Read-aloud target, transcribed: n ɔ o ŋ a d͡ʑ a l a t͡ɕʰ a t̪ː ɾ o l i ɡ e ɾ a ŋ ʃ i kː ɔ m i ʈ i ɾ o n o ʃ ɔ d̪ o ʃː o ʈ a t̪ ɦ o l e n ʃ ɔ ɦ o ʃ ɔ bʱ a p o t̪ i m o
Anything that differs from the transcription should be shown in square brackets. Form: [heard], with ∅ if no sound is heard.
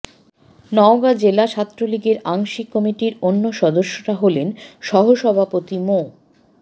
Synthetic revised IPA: n ɔ o [ɡ] a d͡ʑ [e] l a t͡ɕʰ a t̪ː ɾ o l i ɡ e ɾ a ŋ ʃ i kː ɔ m i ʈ i ɾ o [nː] o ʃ ɔ d̪ o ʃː o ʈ a [∅] ɦ o l e n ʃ ɔ ɦ o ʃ ɔ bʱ a p o t̪ i m o

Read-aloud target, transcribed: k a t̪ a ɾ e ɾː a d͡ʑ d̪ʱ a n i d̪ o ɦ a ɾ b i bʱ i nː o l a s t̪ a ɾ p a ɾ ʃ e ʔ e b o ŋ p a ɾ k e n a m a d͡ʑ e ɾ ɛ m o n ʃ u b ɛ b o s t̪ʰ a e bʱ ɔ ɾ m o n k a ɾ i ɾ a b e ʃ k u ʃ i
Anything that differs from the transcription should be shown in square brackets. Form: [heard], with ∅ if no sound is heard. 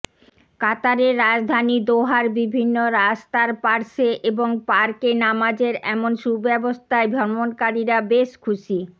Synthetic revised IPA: k a t̪ a ɾ e ɾː a d͡ʑ d̪ʱ a n i d̪ o ɦ a ɾ b i bʱ i nː o [ɾ] a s t̪ a ɾ p a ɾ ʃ e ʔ e b o ŋ p a ɾ k e n a m a d͡ʑ e ɾ ɛ m o n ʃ u b ɛ b o s t̪ʰ a e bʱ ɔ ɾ m o n k a ɾ i ɾ a b e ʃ [kʰ] u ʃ i

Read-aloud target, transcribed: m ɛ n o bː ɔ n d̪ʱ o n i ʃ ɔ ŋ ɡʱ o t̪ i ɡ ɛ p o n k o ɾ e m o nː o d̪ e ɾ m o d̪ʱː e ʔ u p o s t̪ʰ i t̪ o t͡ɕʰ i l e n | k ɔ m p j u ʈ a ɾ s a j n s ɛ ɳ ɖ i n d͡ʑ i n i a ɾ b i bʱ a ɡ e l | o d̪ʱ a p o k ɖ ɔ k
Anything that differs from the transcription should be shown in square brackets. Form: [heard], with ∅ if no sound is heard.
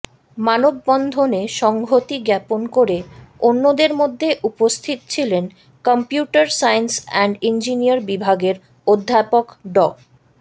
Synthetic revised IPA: m [a] n o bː ɔ n d̪ʱ o n [e] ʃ ɔ ŋ ɡʱ o t̪ i ɡ ɛ p o n k o ɾ e [∅] o nː o d̪ e ɾ m o d̪ʱː e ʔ u p o s t̪ʰ i t̪ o t͡ɕʰ i l e n | k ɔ m p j u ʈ a ɾ s a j n s ɛ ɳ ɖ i n d͡ʑ i n i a ɾ b i bʱ a ɡ e [ɾ] | o [d̪ʱː] a p o k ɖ ɔ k

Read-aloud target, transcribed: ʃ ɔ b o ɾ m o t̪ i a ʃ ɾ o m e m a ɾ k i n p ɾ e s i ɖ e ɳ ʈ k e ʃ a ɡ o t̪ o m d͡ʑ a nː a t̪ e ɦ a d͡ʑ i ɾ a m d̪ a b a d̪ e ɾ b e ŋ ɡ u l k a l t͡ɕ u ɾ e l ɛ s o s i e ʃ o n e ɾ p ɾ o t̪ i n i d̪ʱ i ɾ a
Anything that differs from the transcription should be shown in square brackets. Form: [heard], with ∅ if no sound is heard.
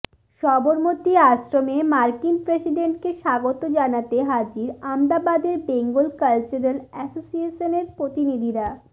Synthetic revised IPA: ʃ ɔ b o ɾ m o t̪ i a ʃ ɾ o m e m a ɾ k i n p ɾ e s i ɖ e ɳ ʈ k e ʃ a ɡ o t̪ o [∅] d͡ʑ a [n] a t̪ e ɦ a d͡ʑ i ɾ a m d̪ a b a d̪ e ɾ b e ŋ ɡ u l k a l t͡ɕ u ɾ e l ɛ s o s i e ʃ o n e ɾ p ɾ o t̪ i n i d̪ʱ i ɾ a

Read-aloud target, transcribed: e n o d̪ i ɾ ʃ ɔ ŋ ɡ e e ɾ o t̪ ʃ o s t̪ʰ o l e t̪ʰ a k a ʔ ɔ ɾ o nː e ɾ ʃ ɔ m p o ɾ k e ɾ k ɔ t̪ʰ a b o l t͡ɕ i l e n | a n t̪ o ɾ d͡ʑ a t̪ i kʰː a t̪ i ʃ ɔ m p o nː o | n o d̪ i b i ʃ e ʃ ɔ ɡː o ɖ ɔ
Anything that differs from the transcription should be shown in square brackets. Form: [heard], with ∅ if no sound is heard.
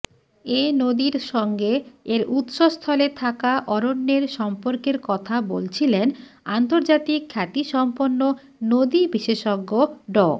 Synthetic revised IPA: e n o d̪ i ɾ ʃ ɔ ŋ ɡ e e ɾ [u] t̪ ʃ o s t̪ʰ [ɔ] l e t̪ʰ a k a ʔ ɔ ɾ o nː e ɾ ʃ ɔ m p o ɾ k e ɾ k ɔ t̪ʰ a b o l [t͡ɕʰ] i l e n | a n t̪ o ɾ d͡ʑ a t̪ i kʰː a t̪ i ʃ ɔ m p o nː o | n o d̪ i b i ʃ e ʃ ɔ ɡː o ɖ ɔ

